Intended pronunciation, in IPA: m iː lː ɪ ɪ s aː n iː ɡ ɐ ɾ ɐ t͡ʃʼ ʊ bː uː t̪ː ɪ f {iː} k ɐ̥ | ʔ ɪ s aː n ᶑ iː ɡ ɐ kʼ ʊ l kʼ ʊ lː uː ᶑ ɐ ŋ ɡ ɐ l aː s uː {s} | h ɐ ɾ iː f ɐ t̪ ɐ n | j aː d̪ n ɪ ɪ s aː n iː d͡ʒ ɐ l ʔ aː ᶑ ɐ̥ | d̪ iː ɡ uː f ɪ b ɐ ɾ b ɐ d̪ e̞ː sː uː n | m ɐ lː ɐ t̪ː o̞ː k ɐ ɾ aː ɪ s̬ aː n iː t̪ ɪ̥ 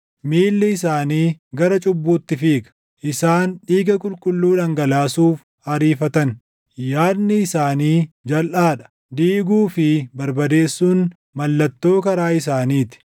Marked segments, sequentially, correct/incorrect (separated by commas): correct, incorrect